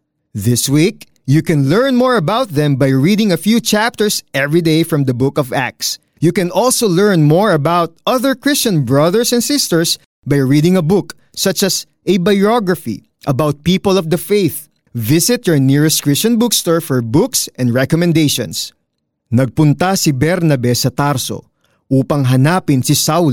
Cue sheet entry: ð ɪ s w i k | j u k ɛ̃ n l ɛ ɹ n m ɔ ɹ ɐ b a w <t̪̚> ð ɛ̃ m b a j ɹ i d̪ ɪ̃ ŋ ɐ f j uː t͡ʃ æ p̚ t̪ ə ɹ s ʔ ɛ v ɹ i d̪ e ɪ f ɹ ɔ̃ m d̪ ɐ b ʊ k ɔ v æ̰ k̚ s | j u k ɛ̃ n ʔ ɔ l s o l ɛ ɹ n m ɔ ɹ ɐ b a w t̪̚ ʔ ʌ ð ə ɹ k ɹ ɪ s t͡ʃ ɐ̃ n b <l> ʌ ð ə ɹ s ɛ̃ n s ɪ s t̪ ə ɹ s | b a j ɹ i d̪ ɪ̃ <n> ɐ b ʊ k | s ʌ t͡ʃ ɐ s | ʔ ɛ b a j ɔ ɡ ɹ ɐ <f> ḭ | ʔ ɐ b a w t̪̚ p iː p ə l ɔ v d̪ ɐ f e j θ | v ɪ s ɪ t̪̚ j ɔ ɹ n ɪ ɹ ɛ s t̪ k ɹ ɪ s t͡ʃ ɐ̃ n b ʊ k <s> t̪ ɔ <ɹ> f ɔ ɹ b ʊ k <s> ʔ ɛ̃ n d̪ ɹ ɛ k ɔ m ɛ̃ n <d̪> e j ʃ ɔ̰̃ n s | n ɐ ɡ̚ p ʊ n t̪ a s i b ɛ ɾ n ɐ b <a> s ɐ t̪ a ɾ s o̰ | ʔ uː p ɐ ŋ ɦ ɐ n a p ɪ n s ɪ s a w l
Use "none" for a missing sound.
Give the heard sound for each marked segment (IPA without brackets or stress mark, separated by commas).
t̪̚, ɹ, ŋ, f, s, ɹ, s, d̪, ɛ